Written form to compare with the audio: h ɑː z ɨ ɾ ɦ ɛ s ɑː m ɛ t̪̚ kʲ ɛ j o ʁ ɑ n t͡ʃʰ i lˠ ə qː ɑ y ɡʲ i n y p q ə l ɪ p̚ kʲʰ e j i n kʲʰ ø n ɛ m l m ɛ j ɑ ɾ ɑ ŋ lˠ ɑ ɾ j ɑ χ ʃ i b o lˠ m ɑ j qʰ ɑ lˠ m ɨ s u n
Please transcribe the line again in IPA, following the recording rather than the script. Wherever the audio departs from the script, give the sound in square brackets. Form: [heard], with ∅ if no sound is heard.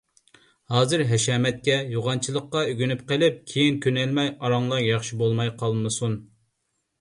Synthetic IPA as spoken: h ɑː z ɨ ɾ ɦ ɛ [ʃ] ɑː m ɛ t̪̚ kʲ ɛ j o ʁ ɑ n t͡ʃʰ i lˠ ə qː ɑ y ɡʲ [y] n y p q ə l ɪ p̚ kʲʰ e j i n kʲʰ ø n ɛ [∅] l m ɛ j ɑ ɾ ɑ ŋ lˠ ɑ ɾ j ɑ χ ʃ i b o lˠ m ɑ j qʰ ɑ lˠ m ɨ s u n

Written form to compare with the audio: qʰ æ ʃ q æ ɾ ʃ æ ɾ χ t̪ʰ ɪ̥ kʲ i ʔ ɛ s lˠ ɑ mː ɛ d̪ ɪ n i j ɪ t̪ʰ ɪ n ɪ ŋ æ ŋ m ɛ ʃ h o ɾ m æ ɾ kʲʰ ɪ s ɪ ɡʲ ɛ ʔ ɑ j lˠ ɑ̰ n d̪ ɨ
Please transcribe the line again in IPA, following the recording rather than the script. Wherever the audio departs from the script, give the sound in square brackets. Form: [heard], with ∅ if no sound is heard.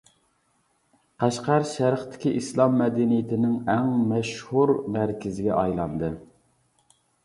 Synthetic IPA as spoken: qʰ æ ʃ q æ ɾ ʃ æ ɾ χ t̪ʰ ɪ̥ kʲ i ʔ [i] s lˠ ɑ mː ɛ d̪ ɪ n i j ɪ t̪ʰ ɪ n ɪ ŋ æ ŋ m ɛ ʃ h [u] ɾ m æ ɾ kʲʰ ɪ [z] ɪ ɡʲ ɛ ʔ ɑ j lˠ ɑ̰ n d̪ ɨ

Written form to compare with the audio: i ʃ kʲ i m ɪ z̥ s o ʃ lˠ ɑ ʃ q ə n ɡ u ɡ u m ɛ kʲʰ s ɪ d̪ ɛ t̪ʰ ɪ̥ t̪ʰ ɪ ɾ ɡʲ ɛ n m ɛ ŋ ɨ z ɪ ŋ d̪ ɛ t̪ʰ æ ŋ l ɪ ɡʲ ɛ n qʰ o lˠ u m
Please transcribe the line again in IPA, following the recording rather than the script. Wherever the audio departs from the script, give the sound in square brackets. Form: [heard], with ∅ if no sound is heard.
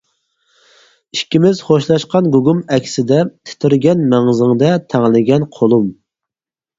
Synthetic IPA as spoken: i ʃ kʲ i m ɪ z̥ [χ] o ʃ lˠ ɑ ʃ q [ɑ] n ɡ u ɡ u m ɛ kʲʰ s ɪ d̪ ɛ t̪ʰ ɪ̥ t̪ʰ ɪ ɾ ɡʲ ɛ n m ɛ ŋ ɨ z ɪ ŋ d̪ ɛ t̪ʰ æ ŋ l ɪ ɡʲ ɛ n qʰ o lˠ u m

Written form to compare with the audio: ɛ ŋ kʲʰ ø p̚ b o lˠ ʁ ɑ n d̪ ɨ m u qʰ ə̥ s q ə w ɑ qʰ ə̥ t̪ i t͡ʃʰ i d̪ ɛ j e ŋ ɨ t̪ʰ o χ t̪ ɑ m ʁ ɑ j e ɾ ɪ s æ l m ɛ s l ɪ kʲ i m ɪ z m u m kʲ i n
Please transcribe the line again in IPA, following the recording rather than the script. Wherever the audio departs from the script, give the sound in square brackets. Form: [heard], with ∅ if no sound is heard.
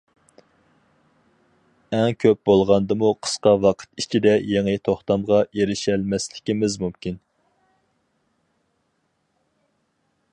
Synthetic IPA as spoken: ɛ ŋ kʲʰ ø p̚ b o lˠ ʁ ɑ n d̪ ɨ m u qʰ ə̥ s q [ɑ] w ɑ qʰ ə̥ t̪ i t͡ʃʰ i d̪ ɛ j e ŋ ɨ t̪ʰ o χ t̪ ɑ m ʁ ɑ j e ɾ ɪ [ʃ] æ l m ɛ s l ɪ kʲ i m ɪ z m u m kʲ i n

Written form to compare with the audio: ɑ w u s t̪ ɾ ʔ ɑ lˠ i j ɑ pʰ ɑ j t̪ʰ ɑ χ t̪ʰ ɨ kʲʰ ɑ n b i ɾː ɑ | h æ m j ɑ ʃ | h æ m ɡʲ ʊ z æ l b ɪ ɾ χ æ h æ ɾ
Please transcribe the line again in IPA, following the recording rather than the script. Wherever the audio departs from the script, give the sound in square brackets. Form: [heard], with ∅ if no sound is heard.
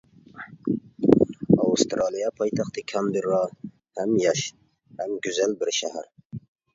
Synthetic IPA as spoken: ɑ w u s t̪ ɾ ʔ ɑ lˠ i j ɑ pʰ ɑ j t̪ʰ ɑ χ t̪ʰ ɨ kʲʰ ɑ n b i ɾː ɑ | h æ m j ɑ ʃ | h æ m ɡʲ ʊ z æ l b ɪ ɾ [ʃ] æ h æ ɾ

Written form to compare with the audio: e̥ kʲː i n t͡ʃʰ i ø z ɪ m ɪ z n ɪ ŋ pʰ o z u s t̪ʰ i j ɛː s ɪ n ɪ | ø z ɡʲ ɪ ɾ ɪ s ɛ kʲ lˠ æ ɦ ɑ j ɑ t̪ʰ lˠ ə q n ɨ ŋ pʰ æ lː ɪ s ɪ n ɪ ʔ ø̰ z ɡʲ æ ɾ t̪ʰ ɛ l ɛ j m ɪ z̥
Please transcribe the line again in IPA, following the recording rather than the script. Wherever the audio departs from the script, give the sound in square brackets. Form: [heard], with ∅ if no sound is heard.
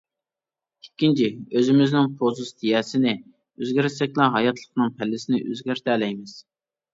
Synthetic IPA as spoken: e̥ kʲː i n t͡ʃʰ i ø z ɪ m ɪ z n ɪ ŋ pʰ o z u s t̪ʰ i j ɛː s ɪ n ɪ | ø z ɡʲ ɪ ɾ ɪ s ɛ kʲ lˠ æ ɦ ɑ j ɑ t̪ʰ lˠ ə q n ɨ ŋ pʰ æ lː ɪ s ɪ n ɪ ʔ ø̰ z ɡʲ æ ɾ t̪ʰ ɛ l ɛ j m ɪ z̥

